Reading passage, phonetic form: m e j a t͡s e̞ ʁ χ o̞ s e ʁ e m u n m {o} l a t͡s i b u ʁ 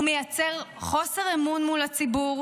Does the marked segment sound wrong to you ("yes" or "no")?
yes